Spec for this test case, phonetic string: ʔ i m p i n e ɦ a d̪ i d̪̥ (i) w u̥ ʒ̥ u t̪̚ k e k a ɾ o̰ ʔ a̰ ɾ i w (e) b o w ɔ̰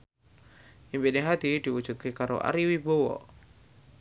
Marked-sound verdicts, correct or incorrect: correct, incorrect

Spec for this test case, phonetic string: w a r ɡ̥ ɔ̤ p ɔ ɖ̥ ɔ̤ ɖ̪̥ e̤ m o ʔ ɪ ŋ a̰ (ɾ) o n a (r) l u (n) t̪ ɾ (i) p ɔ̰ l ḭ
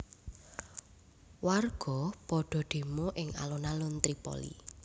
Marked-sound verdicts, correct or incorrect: incorrect, incorrect, correct, correct

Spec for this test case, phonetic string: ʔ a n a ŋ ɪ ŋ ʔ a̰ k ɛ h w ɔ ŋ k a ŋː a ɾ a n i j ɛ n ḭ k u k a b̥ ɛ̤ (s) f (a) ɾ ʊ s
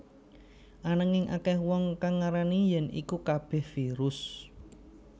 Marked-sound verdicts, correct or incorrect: incorrect, incorrect

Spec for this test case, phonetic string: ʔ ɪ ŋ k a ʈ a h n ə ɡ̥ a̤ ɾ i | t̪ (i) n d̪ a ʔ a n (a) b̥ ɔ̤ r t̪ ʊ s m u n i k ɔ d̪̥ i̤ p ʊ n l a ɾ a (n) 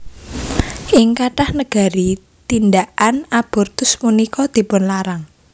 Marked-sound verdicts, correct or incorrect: correct, correct, incorrect

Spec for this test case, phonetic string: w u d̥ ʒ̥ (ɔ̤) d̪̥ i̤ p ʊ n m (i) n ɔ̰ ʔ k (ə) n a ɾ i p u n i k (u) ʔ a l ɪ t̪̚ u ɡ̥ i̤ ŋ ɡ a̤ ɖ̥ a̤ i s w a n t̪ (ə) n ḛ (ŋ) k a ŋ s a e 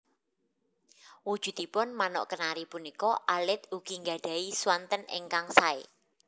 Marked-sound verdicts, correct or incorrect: incorrect, incorrect, correct, incorrect, correct, correct

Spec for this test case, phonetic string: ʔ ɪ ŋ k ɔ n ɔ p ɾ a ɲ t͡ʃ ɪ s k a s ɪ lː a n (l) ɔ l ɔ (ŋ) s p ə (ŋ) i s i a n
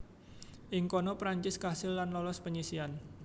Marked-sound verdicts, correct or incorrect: correct, incorrect, incorrect

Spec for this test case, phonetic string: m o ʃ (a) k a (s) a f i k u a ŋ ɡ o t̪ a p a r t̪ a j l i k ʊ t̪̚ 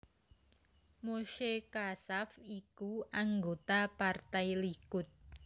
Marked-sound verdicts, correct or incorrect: incorrect, correct

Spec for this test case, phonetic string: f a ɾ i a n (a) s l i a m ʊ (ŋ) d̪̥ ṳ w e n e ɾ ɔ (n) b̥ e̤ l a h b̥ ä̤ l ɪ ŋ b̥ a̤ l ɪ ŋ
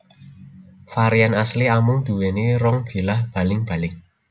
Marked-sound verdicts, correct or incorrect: correct, correct, incorrect

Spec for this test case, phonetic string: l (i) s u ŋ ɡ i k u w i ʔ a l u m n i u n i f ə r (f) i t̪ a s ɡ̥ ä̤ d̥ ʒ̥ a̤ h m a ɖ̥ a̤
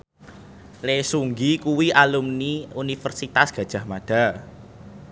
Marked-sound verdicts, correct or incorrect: incorrect, incorrect

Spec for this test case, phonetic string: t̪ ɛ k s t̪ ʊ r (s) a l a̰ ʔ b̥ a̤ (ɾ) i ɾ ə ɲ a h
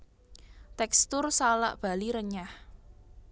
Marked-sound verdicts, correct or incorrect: correct, incorrect

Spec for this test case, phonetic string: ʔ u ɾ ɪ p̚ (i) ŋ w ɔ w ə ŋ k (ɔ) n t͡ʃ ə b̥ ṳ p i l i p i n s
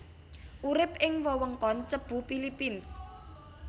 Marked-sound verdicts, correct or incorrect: incorrect, correct

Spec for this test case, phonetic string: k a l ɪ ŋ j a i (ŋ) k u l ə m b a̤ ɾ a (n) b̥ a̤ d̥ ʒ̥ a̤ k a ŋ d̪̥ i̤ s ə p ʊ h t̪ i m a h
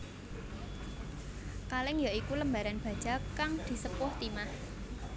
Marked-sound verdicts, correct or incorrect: incorrect, correct

